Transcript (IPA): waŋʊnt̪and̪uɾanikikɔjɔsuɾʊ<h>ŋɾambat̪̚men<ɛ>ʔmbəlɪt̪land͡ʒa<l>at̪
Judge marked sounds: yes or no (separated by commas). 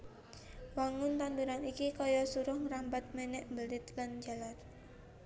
yes, yes, yes